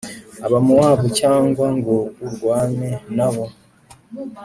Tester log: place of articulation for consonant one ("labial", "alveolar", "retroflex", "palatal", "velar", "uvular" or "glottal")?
labial